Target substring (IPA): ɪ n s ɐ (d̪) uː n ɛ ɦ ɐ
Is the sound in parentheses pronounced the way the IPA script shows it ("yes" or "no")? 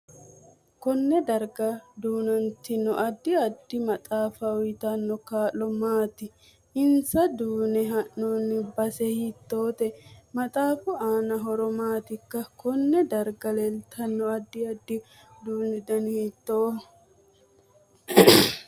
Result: yes